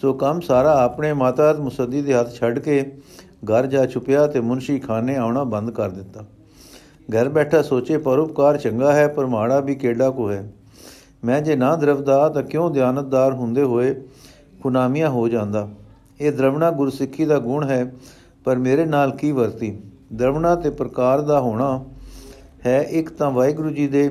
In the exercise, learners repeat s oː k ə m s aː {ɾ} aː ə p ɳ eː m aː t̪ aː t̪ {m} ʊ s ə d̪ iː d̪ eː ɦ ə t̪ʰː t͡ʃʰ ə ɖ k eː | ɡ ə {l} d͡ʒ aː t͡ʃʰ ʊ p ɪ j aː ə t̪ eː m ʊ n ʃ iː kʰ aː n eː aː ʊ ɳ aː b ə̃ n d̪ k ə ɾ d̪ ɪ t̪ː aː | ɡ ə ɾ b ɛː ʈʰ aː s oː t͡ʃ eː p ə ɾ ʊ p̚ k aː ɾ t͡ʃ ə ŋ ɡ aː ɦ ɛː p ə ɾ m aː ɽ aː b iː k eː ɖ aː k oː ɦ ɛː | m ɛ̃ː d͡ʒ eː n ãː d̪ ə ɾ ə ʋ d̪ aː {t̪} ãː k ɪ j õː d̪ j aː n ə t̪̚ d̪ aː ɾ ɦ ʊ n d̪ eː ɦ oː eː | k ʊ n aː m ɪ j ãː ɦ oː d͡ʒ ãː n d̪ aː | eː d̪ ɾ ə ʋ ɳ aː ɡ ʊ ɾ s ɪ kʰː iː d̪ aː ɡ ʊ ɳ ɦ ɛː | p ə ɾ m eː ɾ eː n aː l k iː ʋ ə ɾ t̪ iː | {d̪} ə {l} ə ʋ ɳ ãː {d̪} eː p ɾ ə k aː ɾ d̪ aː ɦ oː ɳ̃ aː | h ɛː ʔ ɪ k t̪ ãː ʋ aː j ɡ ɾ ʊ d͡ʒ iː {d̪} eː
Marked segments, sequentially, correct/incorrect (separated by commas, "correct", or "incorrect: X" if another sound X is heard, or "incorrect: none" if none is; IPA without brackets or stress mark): correct, correct, incorrect: ɾ, correct, correct, incorrect: ɾ, incorrect: t̪, correct